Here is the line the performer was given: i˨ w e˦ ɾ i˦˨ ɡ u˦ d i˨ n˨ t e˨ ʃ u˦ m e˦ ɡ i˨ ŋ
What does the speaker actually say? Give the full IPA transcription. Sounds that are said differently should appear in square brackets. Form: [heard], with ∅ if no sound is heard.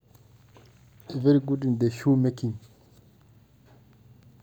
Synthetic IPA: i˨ [v] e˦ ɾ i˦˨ ɡ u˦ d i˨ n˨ [d] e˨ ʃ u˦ m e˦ [k] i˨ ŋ